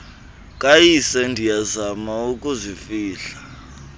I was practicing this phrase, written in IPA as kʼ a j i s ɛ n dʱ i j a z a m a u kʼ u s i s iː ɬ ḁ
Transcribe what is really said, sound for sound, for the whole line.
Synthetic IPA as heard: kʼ a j i s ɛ n dʱ i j a z a m a u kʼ u z i f iː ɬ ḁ